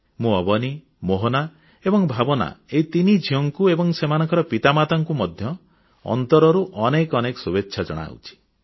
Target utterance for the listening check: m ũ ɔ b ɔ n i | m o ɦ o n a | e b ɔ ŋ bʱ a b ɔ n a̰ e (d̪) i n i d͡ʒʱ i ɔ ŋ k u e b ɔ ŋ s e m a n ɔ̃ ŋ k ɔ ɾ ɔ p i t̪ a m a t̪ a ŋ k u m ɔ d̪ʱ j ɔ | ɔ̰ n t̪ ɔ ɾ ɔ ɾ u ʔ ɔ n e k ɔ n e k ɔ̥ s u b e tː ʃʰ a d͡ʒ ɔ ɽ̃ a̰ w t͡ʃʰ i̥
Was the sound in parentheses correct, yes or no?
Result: no